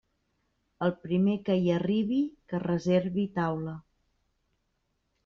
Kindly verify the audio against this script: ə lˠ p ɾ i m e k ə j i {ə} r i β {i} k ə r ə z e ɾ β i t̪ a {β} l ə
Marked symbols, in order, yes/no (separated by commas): yes, yes, no